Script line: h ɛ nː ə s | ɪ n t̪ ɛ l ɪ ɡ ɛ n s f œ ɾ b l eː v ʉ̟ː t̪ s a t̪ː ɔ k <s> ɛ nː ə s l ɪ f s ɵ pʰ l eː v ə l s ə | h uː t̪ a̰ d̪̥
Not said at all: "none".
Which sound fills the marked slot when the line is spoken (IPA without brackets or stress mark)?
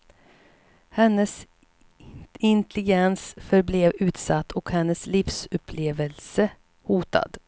h